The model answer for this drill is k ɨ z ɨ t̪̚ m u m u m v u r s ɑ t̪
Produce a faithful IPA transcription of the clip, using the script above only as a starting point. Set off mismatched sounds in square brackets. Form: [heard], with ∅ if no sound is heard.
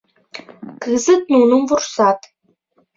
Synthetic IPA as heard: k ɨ z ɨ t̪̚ [n] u [n] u m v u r s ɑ t̪